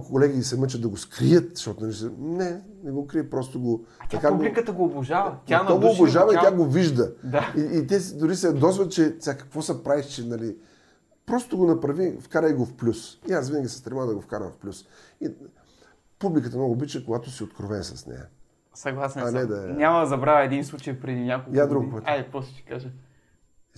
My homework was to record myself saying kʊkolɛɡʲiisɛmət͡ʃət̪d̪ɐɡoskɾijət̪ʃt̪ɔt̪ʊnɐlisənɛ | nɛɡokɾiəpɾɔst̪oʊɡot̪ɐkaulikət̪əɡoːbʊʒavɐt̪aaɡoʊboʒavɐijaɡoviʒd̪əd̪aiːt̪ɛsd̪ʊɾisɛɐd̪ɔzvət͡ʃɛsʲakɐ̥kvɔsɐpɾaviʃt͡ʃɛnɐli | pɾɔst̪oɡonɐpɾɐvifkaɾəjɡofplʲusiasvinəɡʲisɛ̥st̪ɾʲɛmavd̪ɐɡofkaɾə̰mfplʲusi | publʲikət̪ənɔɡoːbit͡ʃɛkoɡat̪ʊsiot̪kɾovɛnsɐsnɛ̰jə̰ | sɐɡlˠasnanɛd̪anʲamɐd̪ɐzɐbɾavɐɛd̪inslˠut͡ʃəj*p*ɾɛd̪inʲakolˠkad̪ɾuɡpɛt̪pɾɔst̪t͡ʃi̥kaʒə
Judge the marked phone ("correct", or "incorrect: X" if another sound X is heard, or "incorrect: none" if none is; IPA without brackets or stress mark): correct